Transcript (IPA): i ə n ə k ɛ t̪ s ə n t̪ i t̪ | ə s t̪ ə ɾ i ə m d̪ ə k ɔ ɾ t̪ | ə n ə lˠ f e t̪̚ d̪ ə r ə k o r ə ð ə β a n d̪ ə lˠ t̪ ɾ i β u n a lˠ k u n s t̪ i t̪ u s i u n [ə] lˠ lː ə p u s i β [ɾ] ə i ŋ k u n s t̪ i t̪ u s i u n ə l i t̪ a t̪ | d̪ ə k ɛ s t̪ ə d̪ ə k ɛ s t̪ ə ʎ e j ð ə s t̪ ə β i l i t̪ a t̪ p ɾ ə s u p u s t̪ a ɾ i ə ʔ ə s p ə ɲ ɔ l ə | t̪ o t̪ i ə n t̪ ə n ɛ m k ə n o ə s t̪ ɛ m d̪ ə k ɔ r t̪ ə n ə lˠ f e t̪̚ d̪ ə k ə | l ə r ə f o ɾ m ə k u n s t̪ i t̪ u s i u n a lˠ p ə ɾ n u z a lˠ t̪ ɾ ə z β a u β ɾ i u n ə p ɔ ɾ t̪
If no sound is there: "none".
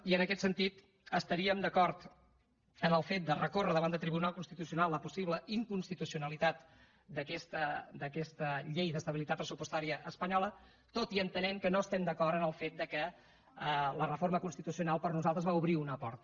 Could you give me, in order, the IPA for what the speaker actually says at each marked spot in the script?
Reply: a, l

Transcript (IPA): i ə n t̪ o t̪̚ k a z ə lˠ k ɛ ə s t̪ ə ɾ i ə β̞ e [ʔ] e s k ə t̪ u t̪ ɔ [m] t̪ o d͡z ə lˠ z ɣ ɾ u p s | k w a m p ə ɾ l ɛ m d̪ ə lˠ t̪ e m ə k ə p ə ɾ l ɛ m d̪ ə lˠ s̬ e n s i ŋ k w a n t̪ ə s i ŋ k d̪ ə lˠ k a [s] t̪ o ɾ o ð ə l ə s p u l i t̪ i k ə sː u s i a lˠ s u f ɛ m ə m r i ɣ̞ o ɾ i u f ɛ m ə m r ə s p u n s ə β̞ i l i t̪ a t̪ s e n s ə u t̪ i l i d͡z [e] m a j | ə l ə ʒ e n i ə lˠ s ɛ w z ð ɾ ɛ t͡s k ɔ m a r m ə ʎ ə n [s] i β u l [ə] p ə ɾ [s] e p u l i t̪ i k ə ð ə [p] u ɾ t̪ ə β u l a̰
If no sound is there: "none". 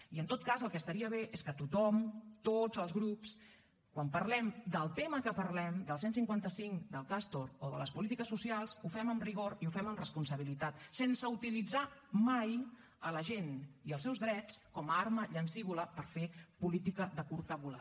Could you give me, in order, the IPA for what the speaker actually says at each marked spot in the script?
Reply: ʔ, m, s, a, s, ə, f, k

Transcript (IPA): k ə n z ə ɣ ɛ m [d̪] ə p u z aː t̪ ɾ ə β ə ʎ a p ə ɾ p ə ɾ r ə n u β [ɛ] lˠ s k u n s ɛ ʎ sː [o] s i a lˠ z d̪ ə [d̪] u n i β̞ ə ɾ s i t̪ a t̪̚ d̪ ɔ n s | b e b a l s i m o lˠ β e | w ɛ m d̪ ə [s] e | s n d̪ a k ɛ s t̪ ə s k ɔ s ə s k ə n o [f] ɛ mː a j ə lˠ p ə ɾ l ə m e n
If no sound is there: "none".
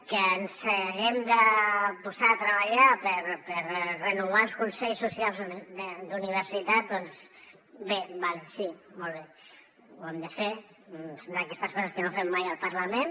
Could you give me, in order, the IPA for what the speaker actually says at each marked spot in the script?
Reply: d̪, a, u, d̪, f, f

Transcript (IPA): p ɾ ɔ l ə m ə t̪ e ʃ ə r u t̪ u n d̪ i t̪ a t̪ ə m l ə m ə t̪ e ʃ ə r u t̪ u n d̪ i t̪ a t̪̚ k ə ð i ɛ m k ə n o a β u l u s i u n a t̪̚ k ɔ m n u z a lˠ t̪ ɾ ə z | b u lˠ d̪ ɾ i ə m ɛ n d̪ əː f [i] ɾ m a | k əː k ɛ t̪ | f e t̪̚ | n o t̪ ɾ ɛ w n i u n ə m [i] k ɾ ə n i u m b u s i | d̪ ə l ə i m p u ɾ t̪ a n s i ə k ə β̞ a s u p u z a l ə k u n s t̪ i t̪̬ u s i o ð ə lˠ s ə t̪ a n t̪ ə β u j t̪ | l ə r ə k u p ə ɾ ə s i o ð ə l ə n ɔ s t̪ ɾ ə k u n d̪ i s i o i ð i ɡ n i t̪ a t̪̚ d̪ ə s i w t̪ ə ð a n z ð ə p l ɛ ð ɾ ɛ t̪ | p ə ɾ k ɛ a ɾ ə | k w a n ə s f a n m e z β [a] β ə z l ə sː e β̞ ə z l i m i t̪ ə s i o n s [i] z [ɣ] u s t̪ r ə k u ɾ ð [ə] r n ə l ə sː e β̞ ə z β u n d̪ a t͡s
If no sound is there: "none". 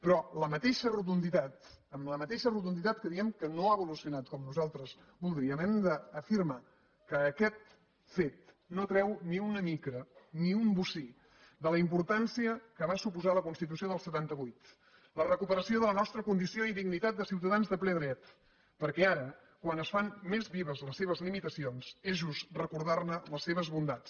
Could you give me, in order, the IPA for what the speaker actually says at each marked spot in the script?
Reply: i, i, i, e, ʒ, a

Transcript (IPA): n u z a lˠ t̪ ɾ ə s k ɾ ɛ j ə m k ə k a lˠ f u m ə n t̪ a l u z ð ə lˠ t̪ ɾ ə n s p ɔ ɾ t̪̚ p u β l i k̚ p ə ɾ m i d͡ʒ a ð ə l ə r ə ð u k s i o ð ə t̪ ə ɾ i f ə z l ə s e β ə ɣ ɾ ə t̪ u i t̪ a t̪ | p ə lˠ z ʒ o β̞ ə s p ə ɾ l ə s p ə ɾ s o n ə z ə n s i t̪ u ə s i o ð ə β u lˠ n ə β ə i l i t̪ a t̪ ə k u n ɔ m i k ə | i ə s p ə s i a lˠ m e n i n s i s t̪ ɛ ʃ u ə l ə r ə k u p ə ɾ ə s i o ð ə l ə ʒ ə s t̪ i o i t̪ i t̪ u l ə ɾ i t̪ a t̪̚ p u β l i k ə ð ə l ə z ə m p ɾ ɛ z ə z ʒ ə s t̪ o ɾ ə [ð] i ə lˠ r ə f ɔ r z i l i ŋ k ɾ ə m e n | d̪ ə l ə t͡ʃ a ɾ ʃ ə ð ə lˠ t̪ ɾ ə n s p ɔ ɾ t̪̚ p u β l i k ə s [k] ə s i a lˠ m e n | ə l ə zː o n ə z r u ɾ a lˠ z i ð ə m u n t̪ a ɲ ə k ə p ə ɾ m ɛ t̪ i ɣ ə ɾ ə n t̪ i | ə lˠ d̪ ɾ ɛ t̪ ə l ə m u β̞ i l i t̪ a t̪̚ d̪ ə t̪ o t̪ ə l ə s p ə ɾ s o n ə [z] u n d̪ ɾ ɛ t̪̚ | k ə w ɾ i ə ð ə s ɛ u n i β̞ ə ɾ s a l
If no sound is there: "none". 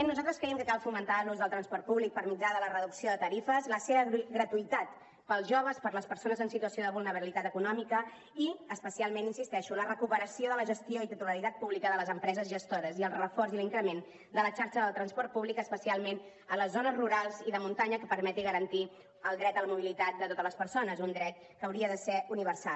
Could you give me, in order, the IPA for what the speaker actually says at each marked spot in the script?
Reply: z, p, z

